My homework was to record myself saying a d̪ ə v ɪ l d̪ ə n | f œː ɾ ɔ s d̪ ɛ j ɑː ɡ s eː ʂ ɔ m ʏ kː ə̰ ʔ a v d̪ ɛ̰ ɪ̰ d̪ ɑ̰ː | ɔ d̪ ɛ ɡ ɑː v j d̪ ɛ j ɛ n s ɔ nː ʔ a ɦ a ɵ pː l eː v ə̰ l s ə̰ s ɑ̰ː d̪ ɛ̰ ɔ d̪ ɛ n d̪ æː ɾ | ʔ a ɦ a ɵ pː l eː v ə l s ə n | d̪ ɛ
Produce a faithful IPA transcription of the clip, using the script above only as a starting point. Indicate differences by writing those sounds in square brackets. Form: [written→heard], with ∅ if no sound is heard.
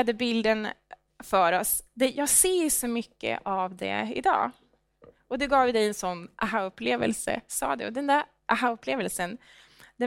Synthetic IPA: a d̪ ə [v→b] ɪ l d̪ ə n | f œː ɾ ɔ s d̪ ɛ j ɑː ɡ s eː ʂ ɔ m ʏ kː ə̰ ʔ a v d̪ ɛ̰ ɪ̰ d̪ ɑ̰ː | ɔ d̪ ɛ ɡ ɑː v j d̪ ɛ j ɛ n s ɔ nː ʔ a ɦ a ɵ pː l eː v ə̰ l s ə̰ s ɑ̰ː d̪ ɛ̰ ɔ d̪ ɛ n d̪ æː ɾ | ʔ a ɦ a ɵ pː l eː v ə l s ə n | d̪ ɛ